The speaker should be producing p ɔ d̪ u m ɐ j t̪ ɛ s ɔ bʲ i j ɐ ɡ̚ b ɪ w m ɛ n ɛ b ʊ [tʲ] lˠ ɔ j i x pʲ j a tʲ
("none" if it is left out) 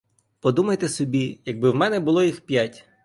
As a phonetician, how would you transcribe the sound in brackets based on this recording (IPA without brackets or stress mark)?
none